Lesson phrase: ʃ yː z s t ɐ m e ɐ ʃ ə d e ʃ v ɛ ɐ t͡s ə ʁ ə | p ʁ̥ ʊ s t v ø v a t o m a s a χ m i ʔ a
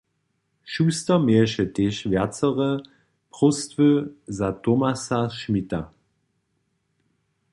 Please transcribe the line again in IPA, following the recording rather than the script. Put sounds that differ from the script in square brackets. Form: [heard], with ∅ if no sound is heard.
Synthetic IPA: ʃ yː [∅] s t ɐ m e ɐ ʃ ə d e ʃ v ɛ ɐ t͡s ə ʁ ə | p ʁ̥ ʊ s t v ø [z] a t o m a s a [ʃ] m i [t] a